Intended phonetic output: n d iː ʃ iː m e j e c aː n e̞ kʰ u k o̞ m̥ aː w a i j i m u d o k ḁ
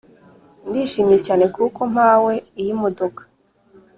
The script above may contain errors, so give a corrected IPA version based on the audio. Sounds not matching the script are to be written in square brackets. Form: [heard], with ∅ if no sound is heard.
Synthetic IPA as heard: n d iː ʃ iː m [i] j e c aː n e̞ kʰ u k o̞ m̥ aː w [e] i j i m [o] d o k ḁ